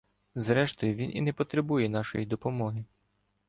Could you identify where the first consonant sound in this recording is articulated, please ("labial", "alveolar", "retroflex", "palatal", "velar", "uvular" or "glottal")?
alveolar